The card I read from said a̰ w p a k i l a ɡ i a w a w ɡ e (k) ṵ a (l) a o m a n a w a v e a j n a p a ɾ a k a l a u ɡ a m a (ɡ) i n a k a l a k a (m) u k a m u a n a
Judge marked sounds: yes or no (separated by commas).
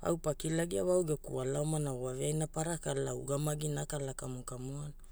yes, yes, yes, yes